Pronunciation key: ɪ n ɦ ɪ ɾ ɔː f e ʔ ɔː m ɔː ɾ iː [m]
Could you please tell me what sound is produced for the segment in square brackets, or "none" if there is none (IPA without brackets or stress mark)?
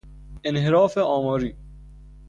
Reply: none